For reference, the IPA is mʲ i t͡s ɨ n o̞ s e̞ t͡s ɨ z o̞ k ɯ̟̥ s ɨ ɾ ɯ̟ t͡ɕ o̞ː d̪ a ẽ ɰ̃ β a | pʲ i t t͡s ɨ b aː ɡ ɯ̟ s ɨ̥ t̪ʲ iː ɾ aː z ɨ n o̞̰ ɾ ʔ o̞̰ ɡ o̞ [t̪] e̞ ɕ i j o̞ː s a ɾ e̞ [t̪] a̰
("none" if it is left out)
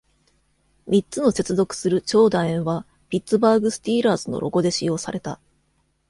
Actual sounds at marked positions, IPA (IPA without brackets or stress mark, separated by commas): d̪, t̪